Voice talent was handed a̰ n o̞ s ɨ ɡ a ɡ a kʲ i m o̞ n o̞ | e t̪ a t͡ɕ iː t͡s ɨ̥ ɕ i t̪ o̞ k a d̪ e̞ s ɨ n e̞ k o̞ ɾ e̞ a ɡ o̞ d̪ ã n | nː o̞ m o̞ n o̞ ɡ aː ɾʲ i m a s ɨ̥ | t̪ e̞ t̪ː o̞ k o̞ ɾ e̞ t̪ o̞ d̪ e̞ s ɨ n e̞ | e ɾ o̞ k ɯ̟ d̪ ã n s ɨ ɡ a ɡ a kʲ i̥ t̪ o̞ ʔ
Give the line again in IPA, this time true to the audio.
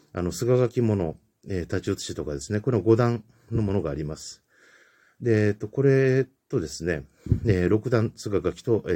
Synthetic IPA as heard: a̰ n o̞ s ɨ ɡ a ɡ a kʲ i m o̞ n o̞ | e t̪ a t͡ɕ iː t͡s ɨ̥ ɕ i t̪ o̞ k a d̪ e̞ s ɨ n e̞ k o̞ ɾ e̞ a ɡ o̞ d̪ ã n | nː o̞ m o̞ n o̞ ɡ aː ɾʲ i m a s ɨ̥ | d̪ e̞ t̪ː o̞ k o̞ ɾ e̞ t̪ o̞ d̪ e̞ s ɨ n e̞ | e ɾ o̞ k ɯ̟ d̪ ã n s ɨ ɡ a ɡ a kʲ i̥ t̪ o̞ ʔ